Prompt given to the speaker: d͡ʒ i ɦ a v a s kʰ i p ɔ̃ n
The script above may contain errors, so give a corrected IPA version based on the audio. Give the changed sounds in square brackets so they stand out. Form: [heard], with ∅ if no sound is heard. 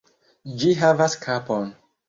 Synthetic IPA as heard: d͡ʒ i ɦ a v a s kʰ [a] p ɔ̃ n